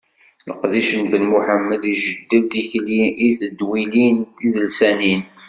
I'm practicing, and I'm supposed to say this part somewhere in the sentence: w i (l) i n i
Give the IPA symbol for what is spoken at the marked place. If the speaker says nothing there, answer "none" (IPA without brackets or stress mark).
l